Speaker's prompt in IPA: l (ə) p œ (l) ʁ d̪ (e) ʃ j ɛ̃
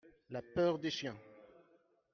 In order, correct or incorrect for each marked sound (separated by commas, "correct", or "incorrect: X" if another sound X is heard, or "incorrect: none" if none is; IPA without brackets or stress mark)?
incorrect: a, incorrect: none, correct